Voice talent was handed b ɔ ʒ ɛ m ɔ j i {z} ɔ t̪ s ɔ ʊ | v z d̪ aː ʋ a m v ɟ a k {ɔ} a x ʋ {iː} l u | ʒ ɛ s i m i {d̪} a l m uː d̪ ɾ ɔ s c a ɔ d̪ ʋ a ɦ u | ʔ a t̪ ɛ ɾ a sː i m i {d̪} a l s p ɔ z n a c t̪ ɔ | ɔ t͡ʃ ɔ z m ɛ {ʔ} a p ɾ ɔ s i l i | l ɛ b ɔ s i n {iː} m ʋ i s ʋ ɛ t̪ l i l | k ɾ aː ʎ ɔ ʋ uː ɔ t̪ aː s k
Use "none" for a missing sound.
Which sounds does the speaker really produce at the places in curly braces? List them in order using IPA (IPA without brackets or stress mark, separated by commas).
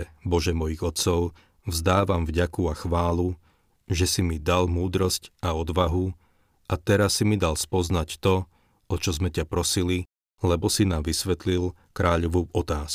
ɣ, u, aː, d̪, d̪, c, aː